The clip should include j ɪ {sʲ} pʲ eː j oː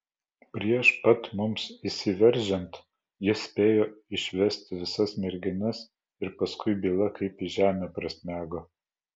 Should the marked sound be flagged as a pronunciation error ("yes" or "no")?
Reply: no